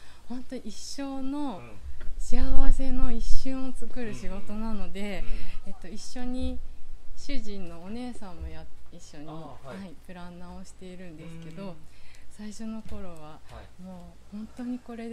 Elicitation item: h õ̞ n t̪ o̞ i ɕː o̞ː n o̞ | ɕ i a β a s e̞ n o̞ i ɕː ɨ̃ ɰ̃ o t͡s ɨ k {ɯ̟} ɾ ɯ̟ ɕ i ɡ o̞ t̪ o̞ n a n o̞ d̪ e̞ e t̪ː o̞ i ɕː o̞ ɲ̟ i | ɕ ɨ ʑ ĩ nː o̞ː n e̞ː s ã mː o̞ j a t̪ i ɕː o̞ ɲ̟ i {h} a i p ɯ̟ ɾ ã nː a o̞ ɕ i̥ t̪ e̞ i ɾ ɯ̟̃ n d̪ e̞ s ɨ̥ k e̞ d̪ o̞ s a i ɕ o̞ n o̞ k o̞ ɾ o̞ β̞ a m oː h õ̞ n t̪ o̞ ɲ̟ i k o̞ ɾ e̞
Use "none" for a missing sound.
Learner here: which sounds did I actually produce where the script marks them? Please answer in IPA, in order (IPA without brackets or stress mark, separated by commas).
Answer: ɯ̟, h